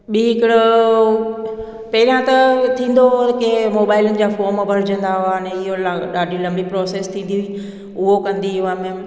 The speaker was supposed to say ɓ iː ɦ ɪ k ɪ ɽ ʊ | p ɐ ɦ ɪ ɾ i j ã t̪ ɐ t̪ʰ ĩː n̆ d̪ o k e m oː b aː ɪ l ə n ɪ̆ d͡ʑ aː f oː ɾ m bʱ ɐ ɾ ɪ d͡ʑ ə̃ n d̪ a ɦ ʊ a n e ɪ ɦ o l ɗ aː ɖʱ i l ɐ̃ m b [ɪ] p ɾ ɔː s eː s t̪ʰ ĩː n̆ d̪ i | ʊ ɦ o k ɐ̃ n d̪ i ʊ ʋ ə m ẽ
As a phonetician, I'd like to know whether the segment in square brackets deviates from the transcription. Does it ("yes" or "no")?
yes